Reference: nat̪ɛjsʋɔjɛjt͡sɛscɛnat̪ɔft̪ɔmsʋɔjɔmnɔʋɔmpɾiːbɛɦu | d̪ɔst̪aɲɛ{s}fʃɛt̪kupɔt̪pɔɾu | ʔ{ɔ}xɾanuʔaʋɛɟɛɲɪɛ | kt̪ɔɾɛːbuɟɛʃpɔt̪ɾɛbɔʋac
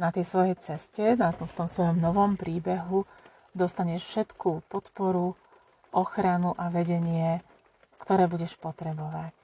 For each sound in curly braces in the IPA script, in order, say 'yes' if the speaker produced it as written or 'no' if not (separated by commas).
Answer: no, yes